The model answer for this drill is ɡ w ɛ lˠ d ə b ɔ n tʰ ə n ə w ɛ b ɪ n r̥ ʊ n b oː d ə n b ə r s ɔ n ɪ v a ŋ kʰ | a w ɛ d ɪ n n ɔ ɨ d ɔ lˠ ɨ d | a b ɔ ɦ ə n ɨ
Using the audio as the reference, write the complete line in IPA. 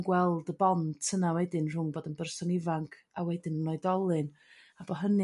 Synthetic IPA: ɡ w ɛ lˠ d ə b ɔ n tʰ ə n a w ɛ d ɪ n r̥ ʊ ŋ b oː d ə n b ə r s ɔ n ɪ v a ŋ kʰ | a w ɛ d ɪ n n ɔ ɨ d ɔ lˠ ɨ n | a b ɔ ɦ ə n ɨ